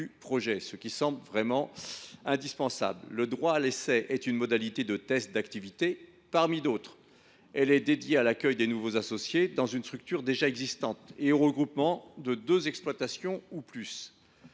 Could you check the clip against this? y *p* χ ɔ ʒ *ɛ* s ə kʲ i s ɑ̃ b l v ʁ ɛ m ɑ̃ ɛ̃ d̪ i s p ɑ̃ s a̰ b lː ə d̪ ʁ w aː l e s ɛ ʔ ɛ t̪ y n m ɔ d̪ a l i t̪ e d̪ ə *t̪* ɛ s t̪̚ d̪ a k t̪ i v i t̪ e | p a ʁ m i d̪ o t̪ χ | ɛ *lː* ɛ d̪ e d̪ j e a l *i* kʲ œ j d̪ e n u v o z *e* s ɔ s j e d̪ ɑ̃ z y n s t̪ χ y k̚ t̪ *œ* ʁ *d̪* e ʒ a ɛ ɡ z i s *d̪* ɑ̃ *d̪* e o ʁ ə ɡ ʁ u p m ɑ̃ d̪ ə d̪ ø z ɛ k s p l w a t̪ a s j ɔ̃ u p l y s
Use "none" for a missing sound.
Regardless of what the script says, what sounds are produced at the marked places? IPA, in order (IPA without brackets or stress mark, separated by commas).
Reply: p, ɛ, t̪, l, a, a, y, d̪, t̪, t̪